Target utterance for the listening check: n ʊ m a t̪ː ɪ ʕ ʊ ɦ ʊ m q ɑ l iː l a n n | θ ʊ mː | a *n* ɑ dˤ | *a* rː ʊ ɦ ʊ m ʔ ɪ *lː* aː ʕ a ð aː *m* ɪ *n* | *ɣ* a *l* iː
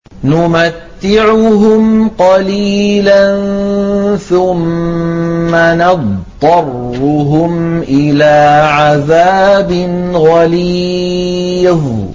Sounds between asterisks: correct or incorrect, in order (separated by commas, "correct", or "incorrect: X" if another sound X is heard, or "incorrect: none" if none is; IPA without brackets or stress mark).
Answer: correct, incorrect: ɑ, incorrect: l, incorrect: b, correct, correct, correct